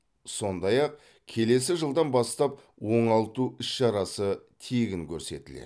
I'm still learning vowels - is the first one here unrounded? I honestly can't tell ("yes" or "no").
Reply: no